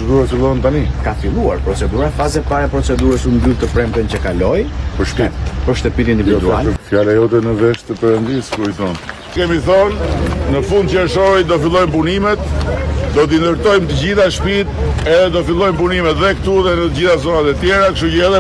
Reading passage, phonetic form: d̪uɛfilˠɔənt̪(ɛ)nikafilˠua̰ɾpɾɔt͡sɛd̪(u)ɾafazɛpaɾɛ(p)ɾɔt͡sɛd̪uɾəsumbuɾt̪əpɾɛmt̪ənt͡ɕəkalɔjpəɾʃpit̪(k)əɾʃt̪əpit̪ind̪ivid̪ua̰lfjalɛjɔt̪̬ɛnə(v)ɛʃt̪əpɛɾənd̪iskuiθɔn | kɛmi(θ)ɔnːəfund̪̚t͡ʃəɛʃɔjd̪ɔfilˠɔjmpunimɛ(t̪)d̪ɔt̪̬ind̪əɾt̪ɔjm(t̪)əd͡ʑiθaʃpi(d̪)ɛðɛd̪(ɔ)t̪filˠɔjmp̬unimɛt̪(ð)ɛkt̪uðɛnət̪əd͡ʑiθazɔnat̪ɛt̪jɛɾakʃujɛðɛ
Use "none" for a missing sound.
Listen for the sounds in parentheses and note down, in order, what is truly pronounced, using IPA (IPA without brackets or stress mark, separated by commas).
a, u, p, p, v, θ, t̪, t̪, t̪, ɔ, ð